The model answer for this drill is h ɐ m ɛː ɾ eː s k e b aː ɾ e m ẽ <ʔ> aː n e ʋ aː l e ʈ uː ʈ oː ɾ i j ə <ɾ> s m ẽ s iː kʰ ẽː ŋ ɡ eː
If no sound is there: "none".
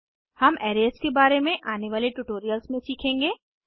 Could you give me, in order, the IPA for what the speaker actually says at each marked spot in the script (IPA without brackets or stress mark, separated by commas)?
ʔ, l